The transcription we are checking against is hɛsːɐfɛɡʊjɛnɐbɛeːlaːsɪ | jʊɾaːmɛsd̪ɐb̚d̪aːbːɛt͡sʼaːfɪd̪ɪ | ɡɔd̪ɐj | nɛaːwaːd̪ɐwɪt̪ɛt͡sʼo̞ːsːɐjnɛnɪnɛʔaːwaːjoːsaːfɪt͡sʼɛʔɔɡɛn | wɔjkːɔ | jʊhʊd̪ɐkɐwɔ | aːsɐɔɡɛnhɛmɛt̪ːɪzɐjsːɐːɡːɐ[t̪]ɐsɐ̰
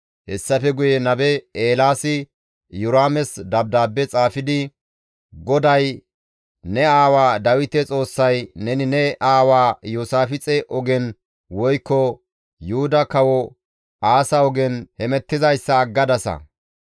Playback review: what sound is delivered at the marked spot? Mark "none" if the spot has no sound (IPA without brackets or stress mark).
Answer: d̪